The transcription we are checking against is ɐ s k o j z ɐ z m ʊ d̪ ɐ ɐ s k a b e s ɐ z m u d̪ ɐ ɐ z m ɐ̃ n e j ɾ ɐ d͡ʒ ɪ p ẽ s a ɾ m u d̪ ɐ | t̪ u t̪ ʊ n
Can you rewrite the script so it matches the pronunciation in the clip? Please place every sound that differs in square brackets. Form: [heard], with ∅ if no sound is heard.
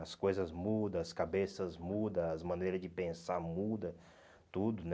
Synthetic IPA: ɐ s k o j z ɐ z m [u] d̪ ɐ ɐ s k a b e s ɐ z m u d̪ ɐ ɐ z m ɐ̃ n e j ɾ ɐ d͡ʒ ɪ p ẽ s a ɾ m u d̪ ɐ | t̪ u [d̪] ʊ n